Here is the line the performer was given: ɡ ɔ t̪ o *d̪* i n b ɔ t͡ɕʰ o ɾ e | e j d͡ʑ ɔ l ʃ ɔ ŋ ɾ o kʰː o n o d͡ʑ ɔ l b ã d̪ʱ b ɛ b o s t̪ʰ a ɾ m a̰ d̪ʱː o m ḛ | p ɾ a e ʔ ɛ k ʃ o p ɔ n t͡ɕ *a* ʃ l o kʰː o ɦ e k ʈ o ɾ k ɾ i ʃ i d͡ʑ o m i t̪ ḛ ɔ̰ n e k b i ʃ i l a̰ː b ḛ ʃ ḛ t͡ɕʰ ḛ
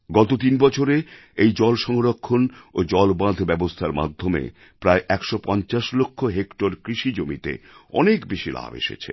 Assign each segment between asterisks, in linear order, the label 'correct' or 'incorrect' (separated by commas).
incorrect, correct